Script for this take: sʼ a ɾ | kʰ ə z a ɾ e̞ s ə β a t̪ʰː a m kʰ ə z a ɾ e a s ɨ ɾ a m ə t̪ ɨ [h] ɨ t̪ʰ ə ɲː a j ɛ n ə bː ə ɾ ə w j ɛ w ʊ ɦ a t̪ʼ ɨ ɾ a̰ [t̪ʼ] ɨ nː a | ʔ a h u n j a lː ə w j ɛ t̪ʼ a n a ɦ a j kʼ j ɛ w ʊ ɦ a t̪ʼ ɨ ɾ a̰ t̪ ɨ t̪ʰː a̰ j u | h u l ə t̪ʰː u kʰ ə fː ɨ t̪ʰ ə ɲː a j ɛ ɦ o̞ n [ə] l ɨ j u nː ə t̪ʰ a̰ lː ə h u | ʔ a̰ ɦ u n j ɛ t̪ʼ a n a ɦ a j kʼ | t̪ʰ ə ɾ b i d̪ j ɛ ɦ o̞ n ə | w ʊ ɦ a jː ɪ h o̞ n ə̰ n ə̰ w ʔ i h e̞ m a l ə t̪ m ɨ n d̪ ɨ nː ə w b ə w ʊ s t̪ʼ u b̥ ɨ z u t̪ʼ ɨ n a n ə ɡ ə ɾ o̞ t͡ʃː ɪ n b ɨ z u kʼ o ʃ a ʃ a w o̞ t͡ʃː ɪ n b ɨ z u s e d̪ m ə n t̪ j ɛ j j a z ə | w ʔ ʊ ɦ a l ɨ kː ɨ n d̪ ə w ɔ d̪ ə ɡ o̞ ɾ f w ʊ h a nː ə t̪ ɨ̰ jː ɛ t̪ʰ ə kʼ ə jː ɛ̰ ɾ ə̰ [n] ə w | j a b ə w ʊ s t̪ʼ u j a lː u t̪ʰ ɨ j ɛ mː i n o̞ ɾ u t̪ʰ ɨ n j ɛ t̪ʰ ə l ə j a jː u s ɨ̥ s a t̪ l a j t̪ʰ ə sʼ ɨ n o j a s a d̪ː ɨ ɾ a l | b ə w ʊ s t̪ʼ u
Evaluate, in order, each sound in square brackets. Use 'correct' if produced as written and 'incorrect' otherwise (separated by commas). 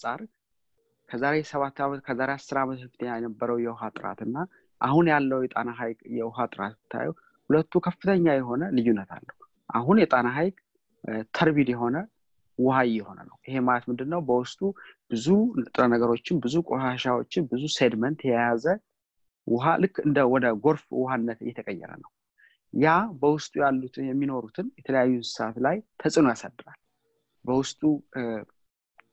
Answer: incorrect, incorrect, correct, correct